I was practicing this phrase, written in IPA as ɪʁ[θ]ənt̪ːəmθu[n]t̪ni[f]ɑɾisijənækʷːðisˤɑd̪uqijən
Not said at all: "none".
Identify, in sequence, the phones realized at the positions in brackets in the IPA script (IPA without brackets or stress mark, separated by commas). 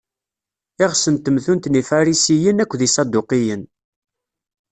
s, n, f